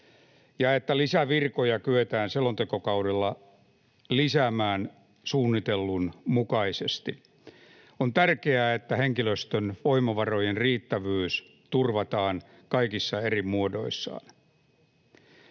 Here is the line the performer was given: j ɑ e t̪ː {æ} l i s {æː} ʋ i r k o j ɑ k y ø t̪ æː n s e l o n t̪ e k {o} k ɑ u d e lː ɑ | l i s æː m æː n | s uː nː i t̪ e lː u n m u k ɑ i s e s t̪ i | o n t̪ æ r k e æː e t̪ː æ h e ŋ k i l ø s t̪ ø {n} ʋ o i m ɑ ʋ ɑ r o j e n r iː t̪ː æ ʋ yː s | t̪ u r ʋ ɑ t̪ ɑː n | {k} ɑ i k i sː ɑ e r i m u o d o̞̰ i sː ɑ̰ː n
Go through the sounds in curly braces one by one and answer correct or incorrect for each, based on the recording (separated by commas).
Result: correct, incorrect, correct, correct, correct